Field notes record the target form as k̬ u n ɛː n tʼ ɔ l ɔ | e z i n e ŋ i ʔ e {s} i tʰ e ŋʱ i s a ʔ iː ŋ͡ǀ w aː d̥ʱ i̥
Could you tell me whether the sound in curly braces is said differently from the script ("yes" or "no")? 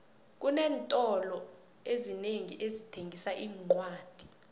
yes